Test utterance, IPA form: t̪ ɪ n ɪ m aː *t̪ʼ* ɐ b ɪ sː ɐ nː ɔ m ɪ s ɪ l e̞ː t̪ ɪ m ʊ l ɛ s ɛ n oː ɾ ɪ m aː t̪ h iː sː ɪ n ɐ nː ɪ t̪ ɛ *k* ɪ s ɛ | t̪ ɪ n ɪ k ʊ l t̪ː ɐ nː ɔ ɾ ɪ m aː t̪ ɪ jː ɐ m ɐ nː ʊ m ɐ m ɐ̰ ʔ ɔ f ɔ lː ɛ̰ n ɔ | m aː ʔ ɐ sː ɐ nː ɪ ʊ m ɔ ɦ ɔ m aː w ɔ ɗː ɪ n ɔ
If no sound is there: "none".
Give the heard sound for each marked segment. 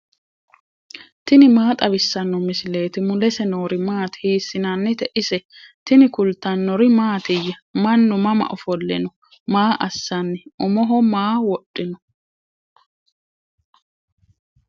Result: t̪ʼ, ʔ

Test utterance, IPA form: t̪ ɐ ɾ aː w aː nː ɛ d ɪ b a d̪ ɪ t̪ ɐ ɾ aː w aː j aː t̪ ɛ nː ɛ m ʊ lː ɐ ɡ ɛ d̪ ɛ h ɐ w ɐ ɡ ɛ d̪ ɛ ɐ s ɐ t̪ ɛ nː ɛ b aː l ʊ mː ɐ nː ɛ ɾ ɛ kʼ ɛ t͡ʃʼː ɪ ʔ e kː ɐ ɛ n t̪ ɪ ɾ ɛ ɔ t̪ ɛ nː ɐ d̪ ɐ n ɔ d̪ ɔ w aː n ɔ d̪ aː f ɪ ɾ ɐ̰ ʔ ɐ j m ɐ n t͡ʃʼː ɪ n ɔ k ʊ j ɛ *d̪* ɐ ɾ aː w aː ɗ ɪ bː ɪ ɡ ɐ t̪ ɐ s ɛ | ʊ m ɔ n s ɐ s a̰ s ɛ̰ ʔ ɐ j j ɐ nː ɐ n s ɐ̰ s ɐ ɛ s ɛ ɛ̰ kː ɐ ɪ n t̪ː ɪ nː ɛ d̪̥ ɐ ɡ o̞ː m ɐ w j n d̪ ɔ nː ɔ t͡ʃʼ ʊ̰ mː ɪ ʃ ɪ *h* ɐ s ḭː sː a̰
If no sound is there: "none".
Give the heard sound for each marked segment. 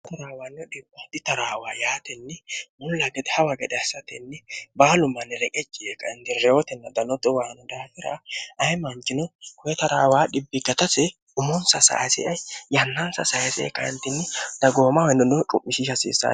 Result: t̪, ʃ

